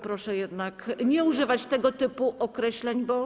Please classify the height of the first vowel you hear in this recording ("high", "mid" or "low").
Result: mid